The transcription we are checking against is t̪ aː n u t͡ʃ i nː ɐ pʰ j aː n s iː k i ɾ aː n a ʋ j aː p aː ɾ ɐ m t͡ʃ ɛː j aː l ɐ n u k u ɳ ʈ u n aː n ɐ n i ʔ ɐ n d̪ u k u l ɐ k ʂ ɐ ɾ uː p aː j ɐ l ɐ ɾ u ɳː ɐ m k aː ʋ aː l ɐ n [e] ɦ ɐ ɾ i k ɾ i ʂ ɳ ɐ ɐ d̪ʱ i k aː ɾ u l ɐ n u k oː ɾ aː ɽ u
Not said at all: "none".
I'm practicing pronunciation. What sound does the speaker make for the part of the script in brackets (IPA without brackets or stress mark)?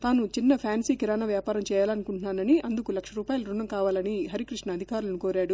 i